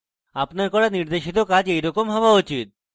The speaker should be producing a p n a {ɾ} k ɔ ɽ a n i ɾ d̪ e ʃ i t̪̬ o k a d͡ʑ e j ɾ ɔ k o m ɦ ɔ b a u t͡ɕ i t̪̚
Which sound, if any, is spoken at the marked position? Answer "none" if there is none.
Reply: ɾ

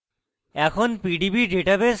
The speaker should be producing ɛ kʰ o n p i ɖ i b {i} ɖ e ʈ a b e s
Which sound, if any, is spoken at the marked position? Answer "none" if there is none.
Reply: i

